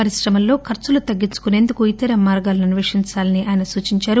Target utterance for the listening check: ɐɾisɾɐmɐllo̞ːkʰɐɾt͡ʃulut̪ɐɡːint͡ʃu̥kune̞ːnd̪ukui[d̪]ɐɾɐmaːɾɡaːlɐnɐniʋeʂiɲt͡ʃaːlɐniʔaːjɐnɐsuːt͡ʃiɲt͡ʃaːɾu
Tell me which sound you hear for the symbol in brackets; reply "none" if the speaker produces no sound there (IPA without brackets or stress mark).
t̪